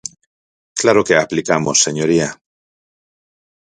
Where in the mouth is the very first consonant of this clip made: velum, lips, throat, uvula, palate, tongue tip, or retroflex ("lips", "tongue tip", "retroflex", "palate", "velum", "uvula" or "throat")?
velum